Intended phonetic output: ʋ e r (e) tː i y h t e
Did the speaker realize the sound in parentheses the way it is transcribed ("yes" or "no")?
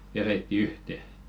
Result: yes